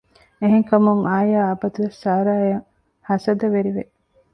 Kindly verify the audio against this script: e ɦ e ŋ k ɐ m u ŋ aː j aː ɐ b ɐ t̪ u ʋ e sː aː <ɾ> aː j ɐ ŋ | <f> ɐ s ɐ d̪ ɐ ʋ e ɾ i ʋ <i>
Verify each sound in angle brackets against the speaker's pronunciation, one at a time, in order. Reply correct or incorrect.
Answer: correct, incorrect: h, incorrect: e

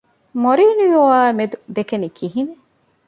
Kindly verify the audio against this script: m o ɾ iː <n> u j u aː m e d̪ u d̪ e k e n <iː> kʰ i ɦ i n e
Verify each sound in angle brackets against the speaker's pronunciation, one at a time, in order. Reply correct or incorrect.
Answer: correct, incorrect: i

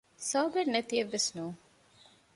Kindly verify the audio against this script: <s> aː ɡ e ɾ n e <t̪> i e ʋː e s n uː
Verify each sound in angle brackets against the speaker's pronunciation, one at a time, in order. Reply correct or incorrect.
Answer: correct, correct

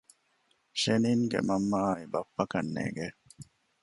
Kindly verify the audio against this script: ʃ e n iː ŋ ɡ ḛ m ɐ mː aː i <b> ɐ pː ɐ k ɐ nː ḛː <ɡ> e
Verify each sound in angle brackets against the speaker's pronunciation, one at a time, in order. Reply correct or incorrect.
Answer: correct, correct

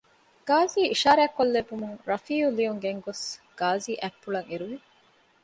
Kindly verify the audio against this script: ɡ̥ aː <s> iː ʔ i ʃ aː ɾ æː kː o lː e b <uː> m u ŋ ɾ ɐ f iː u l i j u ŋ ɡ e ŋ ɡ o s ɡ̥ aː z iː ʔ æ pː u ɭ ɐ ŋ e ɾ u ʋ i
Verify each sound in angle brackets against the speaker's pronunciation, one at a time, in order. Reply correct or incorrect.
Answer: incorrect: z, incorrect: u

